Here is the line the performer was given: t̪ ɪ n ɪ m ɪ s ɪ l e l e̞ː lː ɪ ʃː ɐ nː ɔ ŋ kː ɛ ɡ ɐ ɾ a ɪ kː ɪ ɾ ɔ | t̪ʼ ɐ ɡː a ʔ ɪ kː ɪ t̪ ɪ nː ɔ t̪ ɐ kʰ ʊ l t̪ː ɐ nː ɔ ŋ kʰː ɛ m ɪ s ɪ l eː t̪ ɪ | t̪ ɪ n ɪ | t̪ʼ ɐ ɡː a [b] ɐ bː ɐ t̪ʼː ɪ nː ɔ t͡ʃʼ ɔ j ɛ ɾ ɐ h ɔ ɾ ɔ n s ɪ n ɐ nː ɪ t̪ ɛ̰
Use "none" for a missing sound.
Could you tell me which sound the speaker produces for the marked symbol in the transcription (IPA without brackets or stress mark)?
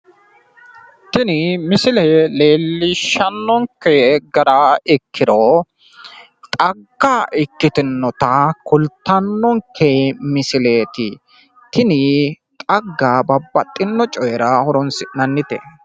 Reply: b